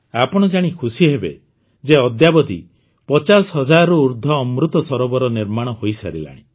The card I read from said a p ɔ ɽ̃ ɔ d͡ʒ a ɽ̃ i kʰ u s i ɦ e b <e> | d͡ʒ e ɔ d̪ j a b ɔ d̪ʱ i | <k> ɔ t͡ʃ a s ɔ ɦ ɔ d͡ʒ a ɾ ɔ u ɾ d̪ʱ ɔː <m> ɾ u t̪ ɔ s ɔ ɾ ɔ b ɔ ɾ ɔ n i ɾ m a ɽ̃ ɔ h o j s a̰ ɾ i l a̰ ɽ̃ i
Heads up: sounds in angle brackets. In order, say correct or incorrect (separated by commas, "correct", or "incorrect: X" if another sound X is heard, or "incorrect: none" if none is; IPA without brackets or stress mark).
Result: correct, incorrect: p, correct